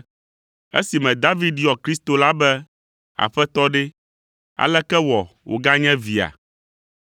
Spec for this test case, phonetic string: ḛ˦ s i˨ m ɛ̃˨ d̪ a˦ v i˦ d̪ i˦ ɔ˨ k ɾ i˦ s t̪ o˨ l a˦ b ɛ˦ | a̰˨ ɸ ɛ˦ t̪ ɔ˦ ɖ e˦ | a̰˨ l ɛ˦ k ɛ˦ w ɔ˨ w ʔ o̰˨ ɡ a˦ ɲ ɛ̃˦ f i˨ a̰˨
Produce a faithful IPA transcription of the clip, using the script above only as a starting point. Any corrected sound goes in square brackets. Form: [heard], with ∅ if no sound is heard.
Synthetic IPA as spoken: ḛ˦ s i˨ m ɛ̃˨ d̪ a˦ v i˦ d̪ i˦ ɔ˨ k ɾ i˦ s t̪ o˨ l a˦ b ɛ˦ | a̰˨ ɸ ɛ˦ t̪ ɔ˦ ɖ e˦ | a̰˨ l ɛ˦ k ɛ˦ w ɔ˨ w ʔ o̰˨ ɡ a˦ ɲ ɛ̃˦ [v] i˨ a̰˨

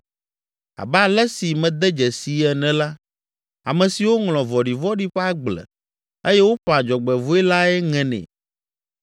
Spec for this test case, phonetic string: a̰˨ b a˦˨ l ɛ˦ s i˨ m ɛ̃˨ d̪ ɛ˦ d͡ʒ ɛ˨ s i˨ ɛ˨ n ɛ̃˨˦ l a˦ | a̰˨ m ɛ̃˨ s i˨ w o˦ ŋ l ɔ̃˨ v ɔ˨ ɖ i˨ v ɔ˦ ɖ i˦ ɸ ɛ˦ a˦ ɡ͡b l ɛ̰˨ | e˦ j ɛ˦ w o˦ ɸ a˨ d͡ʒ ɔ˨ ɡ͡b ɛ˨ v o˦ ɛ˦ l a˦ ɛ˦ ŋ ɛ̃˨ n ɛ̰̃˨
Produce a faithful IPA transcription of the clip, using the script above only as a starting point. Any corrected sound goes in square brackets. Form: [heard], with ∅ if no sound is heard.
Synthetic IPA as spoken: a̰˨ b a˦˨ l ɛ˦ s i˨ m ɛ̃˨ d̪ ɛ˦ d͡ʒ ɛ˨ s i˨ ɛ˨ n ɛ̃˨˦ l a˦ | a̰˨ m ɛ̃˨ s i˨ w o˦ ŋ l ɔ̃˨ v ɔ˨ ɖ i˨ v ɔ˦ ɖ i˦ ɸ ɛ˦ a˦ ɡ͡b l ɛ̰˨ | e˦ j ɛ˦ w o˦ ɸ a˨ d͡ʒ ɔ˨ ɡ͡b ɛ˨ v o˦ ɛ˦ l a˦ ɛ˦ ŋ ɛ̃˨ n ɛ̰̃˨

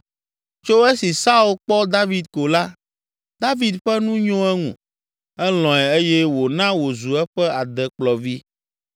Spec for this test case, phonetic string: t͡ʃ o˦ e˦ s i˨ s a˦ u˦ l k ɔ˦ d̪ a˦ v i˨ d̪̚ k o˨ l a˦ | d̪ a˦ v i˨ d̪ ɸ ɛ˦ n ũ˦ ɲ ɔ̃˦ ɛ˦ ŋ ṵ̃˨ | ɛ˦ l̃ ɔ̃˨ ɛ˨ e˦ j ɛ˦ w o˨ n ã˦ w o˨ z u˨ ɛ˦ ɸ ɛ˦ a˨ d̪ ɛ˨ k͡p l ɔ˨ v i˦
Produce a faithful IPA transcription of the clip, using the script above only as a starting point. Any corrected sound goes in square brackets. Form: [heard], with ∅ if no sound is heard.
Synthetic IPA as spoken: t͡ʃ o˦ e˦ s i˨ s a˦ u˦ l [k͡p] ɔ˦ d̪ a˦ v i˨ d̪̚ k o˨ l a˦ | d̪ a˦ v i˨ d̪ ɸ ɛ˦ n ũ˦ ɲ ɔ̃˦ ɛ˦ ŋ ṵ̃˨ | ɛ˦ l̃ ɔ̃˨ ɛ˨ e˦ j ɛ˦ w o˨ n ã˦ w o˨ z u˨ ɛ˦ ɸ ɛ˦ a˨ d̪ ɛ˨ k͡p l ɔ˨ v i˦

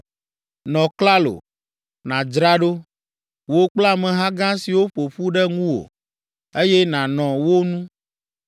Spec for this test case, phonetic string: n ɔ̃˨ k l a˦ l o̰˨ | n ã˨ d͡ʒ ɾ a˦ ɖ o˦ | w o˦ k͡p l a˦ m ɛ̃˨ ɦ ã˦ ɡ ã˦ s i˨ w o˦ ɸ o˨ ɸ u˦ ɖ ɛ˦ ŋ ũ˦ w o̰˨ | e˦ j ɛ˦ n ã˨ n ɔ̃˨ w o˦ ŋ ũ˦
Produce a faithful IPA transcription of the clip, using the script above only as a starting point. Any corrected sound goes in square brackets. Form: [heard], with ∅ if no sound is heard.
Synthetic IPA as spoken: n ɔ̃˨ k l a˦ l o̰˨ | n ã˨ d͡ʒ ɾ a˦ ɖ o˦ | w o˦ k͡p l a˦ m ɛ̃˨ ɦ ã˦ ɡ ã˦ s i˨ w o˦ ɸ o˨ ɸ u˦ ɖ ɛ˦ ŋ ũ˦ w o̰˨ | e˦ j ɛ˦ n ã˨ n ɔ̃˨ w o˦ [n] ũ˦

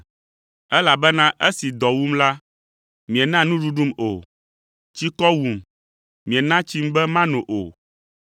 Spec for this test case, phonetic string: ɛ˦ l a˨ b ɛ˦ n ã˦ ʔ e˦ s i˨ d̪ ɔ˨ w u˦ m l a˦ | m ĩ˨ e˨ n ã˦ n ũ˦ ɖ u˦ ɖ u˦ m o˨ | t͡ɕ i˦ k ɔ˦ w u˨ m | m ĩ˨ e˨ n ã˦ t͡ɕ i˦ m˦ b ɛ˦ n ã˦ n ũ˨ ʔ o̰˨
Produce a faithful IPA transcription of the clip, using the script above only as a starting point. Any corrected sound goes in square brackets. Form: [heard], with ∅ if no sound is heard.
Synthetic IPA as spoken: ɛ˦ l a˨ b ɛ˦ n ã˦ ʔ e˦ s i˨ d̪ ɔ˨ w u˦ m l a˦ | m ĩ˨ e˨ n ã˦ n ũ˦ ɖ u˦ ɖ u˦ m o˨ | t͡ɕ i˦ k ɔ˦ w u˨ m | m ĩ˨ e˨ n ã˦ t͡ɕ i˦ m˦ b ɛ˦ [m] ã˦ n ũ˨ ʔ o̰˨

